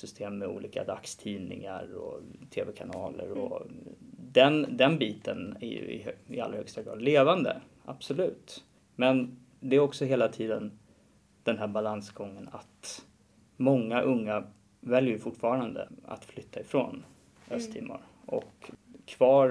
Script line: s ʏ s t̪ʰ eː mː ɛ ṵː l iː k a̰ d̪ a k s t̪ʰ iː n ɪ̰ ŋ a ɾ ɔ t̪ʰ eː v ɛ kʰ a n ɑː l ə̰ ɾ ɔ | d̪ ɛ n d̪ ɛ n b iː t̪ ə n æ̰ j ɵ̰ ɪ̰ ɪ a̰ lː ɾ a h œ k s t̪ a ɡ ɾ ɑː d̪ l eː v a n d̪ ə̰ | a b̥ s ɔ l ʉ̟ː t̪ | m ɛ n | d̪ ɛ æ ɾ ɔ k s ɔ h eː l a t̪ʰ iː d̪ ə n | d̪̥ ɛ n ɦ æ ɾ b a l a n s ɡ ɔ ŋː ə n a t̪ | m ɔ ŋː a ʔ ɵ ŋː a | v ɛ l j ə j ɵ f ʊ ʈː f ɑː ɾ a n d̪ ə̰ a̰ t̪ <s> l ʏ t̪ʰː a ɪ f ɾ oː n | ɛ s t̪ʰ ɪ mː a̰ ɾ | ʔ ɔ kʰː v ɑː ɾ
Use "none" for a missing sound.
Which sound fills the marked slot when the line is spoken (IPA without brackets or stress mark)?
f